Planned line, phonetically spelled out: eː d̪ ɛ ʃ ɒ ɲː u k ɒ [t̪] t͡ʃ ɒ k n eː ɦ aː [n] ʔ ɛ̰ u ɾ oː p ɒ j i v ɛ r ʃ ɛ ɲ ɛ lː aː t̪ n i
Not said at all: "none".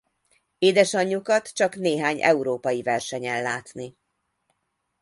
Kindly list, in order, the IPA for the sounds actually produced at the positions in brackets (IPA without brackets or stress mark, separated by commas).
t̪, ɲ